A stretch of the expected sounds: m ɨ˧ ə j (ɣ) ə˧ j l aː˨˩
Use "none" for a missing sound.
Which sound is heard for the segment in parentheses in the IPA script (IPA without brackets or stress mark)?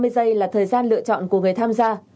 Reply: z